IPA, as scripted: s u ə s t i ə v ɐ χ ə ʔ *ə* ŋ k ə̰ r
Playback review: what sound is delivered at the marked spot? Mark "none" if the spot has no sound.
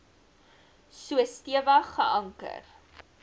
ɐ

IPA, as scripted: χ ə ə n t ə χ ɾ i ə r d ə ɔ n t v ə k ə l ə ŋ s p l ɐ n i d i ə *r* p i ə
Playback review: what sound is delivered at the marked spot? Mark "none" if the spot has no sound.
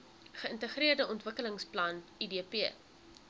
none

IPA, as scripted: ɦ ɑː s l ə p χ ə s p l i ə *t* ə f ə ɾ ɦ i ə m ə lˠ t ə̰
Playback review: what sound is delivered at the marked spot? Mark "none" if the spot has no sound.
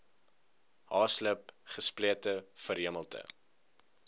t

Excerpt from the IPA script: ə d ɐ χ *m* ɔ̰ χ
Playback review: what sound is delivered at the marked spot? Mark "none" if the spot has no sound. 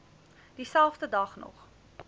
n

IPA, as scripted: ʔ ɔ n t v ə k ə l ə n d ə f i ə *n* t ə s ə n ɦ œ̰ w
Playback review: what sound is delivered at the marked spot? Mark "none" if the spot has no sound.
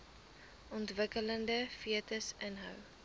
none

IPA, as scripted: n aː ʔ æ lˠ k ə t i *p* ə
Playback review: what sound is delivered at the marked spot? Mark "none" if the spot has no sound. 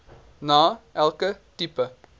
p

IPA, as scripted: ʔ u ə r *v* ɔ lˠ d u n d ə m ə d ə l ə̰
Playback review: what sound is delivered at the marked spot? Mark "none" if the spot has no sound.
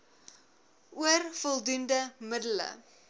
f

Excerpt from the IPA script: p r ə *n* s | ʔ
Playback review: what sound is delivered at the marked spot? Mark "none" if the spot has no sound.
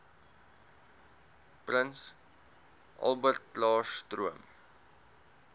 n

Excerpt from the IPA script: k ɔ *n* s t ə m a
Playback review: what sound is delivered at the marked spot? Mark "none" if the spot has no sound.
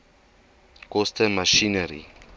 none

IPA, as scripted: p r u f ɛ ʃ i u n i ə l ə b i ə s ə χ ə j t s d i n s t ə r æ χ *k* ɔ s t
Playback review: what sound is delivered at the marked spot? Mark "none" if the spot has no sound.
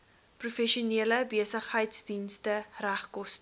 k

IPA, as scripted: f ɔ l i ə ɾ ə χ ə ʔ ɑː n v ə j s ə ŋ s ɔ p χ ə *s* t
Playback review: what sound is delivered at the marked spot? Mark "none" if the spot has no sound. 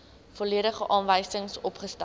s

